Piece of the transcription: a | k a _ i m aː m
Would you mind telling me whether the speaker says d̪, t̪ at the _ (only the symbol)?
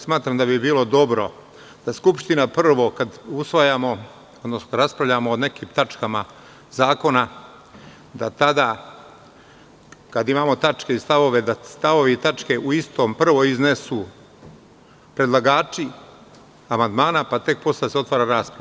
d̪